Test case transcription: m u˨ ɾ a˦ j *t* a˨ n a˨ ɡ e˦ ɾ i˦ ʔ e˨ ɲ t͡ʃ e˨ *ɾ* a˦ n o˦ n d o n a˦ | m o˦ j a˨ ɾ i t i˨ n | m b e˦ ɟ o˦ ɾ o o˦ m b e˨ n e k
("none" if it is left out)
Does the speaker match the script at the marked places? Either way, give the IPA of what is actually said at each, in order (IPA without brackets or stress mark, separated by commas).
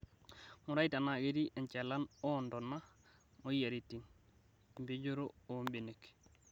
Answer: t, l